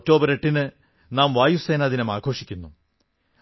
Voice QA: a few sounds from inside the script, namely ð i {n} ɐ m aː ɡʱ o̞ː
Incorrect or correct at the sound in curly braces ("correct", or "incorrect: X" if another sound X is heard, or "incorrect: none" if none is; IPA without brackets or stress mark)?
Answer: correct